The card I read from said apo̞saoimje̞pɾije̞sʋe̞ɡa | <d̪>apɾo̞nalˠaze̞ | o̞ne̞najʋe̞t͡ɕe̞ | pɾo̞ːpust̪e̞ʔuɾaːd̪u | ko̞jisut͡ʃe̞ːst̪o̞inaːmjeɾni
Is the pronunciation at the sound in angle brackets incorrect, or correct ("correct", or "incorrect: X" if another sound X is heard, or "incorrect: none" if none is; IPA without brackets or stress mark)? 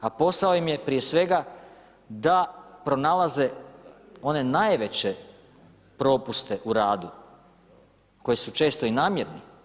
correct